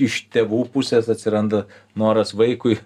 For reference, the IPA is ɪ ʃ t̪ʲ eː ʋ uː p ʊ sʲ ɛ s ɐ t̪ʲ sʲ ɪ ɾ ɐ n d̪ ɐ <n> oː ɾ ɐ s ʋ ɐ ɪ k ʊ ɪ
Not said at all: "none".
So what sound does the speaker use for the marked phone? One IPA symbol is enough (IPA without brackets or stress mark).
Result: n